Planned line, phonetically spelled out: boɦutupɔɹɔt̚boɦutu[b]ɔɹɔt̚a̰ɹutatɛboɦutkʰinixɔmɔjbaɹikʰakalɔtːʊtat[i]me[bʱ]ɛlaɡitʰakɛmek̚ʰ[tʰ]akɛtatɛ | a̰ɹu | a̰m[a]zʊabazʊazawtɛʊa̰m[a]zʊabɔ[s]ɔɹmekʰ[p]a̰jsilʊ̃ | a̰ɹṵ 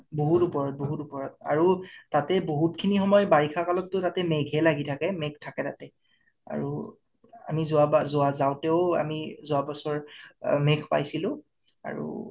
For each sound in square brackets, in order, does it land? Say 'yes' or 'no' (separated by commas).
no, no, no, yes, no, no, yes, yes